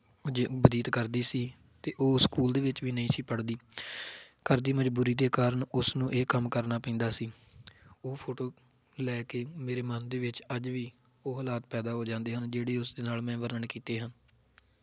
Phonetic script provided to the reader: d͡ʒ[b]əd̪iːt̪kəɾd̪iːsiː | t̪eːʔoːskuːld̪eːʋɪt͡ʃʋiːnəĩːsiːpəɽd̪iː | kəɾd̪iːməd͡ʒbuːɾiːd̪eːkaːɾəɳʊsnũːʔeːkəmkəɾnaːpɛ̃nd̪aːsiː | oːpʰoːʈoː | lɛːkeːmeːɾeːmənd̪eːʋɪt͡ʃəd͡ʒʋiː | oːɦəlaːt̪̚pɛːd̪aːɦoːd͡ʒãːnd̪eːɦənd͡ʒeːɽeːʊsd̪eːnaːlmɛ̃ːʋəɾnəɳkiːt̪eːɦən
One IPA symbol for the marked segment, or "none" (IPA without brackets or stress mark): b